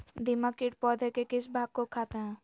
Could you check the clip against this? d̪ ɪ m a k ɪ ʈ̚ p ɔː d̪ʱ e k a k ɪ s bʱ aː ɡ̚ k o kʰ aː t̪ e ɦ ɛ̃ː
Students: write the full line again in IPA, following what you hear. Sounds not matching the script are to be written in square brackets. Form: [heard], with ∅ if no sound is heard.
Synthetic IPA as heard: d̪ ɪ m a k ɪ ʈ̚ p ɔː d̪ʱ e k [e] k ɪ s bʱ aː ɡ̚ k o kʰ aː t̪ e ɦ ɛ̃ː

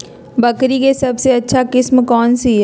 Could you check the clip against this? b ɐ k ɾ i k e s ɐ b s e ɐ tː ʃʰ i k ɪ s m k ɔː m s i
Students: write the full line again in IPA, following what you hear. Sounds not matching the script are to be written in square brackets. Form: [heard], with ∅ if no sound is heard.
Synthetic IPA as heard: b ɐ k ɾ i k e s ɐ b s e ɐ tː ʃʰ [a] k ɪ s m k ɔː [n] s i

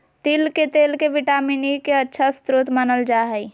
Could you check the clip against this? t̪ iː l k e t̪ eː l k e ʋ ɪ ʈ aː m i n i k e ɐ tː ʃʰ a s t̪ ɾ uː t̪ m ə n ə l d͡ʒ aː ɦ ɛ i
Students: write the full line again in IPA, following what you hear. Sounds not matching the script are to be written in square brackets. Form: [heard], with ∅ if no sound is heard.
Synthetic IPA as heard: t̪ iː l k e t̪ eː l k e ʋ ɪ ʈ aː m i n i k e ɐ tː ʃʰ a s t̪ ɾ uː t̪ m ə n ə l d͡ʒ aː ɦ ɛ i

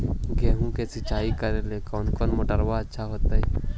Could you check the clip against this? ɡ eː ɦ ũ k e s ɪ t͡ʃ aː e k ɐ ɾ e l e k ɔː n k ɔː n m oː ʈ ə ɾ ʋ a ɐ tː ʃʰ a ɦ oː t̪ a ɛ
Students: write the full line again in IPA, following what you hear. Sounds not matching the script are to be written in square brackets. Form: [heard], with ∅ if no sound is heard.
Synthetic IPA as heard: ɡ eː ɦ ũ k e s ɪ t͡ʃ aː [i] k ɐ ɾ e l e k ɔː n k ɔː n m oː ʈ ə ɾ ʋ a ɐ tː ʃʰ a ɦ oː t̪ a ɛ

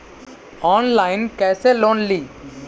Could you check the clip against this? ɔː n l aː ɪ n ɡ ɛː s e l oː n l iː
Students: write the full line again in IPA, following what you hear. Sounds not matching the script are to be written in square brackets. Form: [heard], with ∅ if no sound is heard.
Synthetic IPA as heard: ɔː n l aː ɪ n [k] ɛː s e l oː n l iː

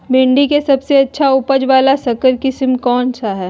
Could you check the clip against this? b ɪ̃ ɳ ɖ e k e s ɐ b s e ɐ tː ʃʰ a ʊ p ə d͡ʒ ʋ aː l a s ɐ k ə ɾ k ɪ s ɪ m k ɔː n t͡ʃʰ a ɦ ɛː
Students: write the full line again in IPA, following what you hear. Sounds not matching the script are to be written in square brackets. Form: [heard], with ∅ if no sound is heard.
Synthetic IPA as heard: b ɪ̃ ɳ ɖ [i] k e s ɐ b s e ɐ tː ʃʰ a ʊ p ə d͡ʒ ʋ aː l a s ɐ k ə ɾ k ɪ s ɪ m k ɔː n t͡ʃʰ a ɦ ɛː

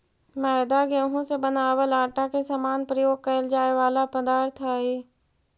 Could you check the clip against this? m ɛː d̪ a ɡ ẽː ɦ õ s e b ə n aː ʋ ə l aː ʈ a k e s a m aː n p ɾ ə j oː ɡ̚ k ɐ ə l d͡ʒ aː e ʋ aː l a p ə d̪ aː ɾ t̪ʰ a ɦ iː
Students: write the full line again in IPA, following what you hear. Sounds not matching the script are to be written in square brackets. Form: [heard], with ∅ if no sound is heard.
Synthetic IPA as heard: m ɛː d̪ a ɡ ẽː ɦ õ s e b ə n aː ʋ ə l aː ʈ a k e s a m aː n p ɾ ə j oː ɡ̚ k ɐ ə l d͡ʒ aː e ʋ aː l a p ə d̪ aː ɾ t̪ʰ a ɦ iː

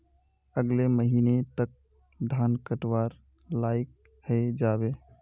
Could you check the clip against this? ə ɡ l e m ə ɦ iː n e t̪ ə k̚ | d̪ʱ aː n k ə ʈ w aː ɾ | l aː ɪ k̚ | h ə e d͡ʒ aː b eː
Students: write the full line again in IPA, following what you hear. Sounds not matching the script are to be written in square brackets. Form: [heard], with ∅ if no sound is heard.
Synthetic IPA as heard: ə ɡ l e m ə ɦ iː n e t̪ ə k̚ | d̪ʱ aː n k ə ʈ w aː ɾ | l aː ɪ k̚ | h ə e d͡ʒ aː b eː

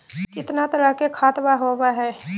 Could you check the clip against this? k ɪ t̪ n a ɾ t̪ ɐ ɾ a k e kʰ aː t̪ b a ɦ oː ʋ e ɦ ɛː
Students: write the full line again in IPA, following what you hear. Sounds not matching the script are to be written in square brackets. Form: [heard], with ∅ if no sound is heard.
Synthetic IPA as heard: k ɪ t̪ n a [∅] t̪ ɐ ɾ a k e kʰ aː t̪ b a ɦ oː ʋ [a] ɦ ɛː

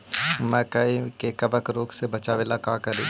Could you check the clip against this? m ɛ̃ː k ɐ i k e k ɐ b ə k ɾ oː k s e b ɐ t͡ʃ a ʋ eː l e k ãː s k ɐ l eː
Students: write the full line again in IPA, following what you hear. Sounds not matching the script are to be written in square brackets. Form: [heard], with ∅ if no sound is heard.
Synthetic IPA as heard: m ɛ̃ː k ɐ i k e k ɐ b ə k ɾ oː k s e b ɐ t͡ʃ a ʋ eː l [a] k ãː [∅] k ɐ [ɾ] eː

